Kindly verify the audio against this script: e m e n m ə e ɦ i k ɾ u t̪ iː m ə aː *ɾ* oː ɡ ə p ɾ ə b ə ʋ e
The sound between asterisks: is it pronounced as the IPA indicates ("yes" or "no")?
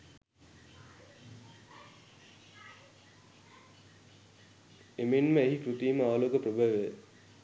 no